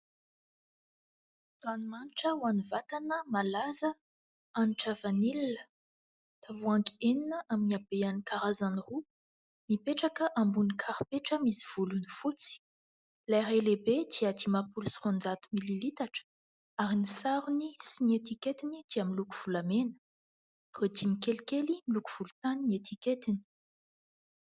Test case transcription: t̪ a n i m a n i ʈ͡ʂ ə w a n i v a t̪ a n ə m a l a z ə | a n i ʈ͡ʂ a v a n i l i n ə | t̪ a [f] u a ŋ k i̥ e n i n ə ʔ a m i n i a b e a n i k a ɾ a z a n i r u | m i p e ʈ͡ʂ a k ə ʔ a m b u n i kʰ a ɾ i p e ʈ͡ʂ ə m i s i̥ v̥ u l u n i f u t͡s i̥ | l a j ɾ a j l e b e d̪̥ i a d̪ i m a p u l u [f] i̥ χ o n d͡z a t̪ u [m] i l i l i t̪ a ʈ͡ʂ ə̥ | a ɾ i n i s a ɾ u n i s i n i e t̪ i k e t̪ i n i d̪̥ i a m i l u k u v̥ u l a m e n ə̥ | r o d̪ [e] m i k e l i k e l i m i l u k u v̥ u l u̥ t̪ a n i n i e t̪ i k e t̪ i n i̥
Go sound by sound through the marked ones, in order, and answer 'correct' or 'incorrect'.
incorrect: v, incorrect: s, correct, incorrect: i

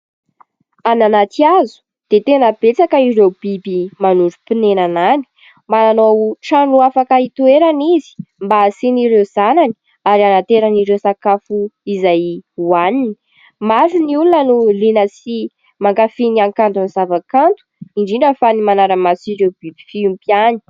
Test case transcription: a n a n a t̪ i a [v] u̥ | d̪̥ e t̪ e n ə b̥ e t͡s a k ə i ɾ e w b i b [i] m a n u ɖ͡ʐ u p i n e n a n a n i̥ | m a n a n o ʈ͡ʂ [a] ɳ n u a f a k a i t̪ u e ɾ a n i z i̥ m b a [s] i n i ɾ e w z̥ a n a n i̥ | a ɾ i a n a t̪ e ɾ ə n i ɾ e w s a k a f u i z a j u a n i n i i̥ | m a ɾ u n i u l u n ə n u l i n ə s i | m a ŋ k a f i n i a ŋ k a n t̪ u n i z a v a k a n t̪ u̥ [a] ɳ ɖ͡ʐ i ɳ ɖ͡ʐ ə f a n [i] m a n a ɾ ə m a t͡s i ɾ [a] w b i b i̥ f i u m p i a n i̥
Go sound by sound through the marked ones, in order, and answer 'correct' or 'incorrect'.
incorrect: z, correct, correct, correct, incorrect: i, correct, incorrect: e

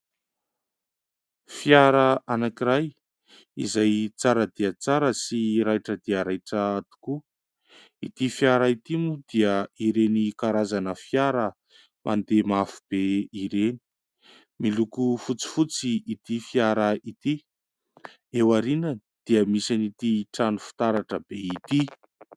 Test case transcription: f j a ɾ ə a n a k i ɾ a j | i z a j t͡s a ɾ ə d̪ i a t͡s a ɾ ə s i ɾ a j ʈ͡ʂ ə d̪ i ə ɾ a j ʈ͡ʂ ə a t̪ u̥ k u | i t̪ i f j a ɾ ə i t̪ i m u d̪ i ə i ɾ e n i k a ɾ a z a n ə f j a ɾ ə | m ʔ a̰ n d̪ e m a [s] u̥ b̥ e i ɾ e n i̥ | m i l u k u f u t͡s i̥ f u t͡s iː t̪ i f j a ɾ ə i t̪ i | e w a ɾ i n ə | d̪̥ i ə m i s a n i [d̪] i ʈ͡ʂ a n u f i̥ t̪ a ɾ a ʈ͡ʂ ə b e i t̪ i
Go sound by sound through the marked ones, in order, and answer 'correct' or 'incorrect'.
incorrect: f, incorrect: t̪

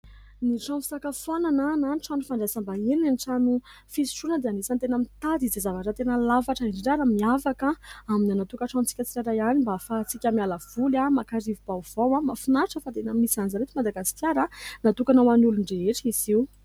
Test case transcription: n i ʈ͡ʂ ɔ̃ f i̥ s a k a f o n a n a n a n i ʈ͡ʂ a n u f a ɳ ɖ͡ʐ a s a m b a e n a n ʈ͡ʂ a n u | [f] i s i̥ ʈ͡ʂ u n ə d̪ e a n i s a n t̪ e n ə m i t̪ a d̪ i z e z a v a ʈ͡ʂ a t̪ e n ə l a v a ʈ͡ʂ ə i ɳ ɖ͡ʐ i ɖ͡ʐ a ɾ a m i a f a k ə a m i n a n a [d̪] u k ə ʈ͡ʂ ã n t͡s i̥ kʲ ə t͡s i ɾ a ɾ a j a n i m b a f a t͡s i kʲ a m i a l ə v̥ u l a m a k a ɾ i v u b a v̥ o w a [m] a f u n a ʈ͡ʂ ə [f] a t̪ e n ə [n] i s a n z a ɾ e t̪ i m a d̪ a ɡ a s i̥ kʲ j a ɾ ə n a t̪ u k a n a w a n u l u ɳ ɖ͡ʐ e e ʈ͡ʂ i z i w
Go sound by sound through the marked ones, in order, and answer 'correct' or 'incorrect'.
correct, incorrect: t̪, correct, correct, incorrect: m

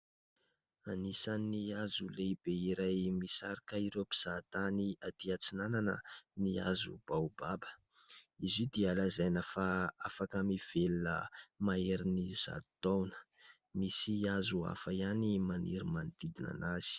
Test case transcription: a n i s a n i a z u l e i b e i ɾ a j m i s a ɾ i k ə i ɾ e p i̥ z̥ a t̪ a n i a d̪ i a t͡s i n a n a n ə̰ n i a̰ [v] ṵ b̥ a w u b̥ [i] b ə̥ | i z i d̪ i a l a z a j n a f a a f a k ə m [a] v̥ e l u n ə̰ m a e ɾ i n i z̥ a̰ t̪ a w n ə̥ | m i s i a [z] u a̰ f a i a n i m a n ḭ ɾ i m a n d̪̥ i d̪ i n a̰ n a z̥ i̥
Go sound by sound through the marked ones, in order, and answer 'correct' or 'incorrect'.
incorrect: z, incorrect: a, incorrect: i, correct

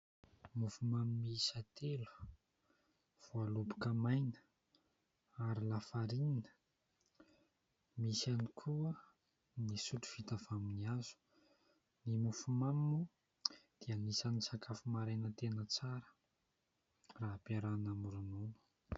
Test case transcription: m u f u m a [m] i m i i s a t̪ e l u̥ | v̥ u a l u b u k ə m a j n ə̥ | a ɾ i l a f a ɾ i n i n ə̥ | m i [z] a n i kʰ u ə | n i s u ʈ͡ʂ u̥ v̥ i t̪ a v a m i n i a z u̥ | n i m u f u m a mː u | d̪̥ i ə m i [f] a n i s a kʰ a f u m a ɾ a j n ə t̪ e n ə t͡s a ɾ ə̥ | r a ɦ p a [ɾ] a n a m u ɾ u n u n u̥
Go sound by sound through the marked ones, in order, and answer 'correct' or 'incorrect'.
correct, incorrect: s, incorrect: s, correct

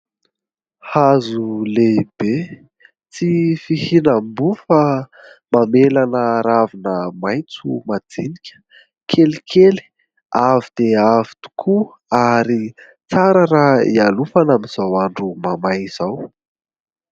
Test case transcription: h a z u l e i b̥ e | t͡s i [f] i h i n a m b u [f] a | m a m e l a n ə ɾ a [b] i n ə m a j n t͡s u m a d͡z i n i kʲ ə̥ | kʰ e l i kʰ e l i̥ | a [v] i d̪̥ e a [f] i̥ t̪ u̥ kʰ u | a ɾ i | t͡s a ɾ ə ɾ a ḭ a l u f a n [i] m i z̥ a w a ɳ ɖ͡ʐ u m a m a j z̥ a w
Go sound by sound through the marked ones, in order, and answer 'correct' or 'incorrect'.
correct, correct, incorrect: v, correct, incorrect: v, incorrect: a

